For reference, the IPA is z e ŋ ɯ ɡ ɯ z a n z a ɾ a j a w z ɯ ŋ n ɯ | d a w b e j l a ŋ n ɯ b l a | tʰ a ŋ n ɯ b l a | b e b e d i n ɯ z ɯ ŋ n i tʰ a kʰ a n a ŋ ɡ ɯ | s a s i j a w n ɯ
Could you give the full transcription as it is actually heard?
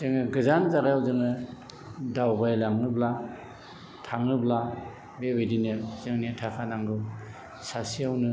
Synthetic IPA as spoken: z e ŋ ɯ ɡ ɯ z a n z a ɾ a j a w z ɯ ŋ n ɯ | d a w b a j l a ŋ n ɯ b l a | tʰ a ŋ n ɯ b l a | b e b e d i n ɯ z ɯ ŋ n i tʰ a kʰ a n a ŋ ɡ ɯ | s a s i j a w n ɯ

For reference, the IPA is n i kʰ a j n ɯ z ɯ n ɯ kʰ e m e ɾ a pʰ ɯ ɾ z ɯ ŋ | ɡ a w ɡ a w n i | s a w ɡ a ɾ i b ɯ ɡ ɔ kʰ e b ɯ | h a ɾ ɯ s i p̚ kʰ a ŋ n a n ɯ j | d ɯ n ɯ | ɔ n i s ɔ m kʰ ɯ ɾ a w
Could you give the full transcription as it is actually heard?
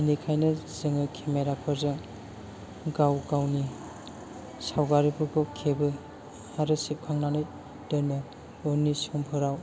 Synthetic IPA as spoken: n i kʰ a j n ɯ z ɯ ŋ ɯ kʰ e m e ɾ a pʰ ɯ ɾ z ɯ ŋ | ɡ a w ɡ a w n i | s a w ɡ a ɾ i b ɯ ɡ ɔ kʰ e b ɯ | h a ɾ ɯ s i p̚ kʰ a ŋ n a n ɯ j | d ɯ n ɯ | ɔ n i s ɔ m pʰ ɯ ɾ a w

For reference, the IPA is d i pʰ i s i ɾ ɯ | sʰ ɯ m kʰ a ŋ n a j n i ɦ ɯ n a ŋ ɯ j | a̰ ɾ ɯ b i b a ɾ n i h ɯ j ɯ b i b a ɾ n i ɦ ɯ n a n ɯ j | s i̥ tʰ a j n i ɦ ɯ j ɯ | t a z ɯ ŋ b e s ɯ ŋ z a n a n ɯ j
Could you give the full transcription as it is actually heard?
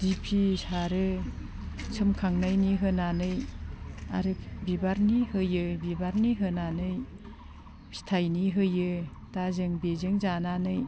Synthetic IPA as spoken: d i pʰ i s a ɾ ɯ | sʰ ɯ m kʰ a ŋ n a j n i ɦ ɯ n a n ɯ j | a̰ ɾ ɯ b i b a ɾ n i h ɯ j ɯ b i b a ɾ n i ɦ ɯ n a n ɯ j | s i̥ tʰ a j n i ɦ ɯ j ɯ | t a z ɯ ŋ b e z ɯ ŋ z a n a n ɯ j

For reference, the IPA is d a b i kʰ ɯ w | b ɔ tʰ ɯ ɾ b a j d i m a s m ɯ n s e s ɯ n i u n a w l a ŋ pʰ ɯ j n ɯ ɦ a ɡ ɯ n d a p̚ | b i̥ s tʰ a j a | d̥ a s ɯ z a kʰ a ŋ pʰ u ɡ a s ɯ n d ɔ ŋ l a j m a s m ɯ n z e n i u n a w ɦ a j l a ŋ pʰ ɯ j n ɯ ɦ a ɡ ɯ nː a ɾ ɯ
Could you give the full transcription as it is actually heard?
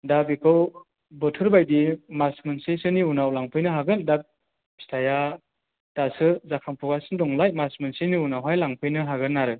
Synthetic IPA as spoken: d a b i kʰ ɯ w | b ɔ tʰ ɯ ɾ b a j d i m a s m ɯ n s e s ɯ n i u n a w l a ŋ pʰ ɯ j n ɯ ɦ a ɡ ɯ n d a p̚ | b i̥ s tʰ a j a | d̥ a s ɯ z a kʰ a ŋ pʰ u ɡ a s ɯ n d ɔ ŋ l a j m a s m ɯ n s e n i u n a w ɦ a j l a ŋ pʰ ɯ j n ɯ ɦ a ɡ ɯ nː a ɾ ɯ

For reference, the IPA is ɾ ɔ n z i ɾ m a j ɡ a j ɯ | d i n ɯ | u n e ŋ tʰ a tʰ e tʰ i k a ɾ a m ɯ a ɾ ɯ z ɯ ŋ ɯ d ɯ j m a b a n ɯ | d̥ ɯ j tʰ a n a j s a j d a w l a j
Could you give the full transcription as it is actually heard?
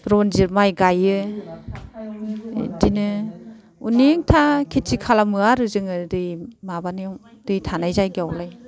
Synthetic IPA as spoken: ɾ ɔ n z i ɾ m a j ɡ a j ɯ | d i n ɯ | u n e ŋ tʰ a kʰ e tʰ i kʰ a l a m ɯ a ɾ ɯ z ɯ ŋ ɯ d ɯ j m a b a n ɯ | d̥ ɯ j tʰ a n a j z a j ɡ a w l a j

